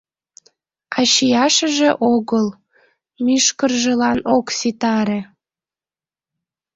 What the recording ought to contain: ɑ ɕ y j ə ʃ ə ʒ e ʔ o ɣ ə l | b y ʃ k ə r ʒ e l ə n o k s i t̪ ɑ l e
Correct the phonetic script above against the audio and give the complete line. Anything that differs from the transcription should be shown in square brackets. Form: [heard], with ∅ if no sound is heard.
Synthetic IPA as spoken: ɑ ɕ [i] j [ɑ] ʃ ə ʒ e ʔ o ɣ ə l | [m] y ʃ k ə r ʒ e l [ɑ] n o k s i t̪ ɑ [ɾ] e